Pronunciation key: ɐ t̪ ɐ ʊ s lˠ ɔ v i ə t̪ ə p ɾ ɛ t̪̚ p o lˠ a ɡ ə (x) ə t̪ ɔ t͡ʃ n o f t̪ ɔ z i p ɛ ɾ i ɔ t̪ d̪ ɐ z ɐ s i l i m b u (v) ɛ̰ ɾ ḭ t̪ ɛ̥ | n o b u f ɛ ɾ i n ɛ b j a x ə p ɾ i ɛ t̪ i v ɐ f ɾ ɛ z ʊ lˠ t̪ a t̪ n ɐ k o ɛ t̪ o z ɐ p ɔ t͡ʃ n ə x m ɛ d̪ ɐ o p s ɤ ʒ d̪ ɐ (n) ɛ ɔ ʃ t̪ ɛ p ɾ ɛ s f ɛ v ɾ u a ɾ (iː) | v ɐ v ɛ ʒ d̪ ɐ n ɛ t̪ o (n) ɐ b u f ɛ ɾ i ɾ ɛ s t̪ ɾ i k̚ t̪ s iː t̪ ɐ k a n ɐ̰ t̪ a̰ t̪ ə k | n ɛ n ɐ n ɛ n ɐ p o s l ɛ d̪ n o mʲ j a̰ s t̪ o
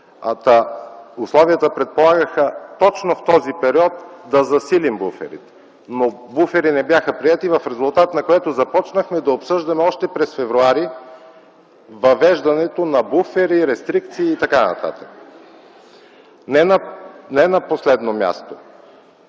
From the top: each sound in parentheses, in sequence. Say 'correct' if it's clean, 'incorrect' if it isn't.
correct, incorrect: f, incorrect: m, incorrect: i, correct

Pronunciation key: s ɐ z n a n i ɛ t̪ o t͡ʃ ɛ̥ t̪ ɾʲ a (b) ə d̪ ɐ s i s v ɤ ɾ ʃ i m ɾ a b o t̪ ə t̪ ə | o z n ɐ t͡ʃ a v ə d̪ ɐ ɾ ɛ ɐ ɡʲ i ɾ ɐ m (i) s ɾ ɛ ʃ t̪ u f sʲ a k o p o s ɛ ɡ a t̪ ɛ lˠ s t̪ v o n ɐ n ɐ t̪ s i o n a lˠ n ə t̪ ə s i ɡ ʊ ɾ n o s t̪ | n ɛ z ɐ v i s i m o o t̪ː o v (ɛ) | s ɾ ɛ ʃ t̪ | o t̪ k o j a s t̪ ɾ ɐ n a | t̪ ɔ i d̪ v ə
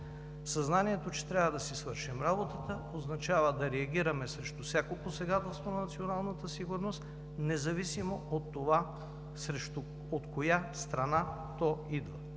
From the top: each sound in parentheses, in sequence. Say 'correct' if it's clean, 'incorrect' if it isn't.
incorrect: v, incorrect: ɛ, incorrect: a

